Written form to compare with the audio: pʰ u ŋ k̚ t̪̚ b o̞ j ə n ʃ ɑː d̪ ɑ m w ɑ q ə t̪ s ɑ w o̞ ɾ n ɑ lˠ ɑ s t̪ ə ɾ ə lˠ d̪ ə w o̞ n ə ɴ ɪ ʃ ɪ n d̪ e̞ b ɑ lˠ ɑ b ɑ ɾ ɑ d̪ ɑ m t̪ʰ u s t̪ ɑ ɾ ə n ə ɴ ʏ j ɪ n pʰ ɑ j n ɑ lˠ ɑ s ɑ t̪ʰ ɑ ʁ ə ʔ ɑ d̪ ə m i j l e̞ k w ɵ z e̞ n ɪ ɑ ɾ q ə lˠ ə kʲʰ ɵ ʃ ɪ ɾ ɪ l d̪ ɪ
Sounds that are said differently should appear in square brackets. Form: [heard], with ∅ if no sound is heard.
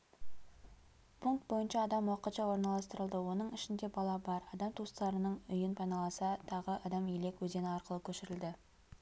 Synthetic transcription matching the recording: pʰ u ŋ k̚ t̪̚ b o̞ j ə n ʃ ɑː d̪ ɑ m w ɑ q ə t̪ [ʃ] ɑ w o̞ ɾ n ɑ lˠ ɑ s t̪ ə ɾ ə lˠ d̪ ə w o̞ n ə ɴ ɪ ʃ ɪ n d̪ e̞ b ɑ lˠ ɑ b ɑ ɾ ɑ d̪ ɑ m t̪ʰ u s t̪ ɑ ɾ ə n ə ɴ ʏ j ɪ n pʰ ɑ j n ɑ lˠ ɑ s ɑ t̪ʰ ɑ ʁ ə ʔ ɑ d̪ [ɑ] m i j l e̞ k w ɵ z e̞ n ɪ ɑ ɾ q ə lˠ ə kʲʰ ɵ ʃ ɪ ɾ ɪ l d̪ ɪ